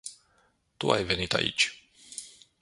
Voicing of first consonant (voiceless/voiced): voiceless